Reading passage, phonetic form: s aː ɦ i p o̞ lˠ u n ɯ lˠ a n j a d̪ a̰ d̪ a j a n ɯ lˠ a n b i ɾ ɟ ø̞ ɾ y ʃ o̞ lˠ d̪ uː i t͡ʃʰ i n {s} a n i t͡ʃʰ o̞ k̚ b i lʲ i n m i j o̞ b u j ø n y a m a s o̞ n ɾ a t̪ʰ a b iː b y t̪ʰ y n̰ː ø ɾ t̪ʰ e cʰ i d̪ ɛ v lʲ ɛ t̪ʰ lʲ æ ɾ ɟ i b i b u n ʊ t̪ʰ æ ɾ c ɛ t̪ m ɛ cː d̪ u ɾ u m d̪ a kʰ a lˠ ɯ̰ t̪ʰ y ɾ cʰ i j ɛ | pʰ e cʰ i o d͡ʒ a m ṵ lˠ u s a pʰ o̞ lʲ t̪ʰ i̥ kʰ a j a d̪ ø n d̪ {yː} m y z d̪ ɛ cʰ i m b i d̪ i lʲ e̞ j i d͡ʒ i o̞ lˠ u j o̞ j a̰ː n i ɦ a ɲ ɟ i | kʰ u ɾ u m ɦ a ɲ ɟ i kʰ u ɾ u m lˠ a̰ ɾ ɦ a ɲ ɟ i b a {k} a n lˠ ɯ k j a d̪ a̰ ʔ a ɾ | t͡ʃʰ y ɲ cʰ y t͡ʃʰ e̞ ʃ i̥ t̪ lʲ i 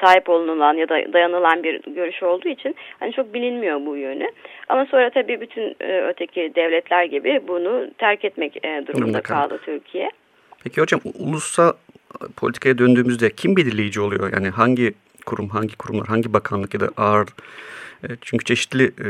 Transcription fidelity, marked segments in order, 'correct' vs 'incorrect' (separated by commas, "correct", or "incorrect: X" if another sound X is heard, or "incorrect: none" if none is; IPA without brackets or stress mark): incorrect: h, correct, incorrect: kʰ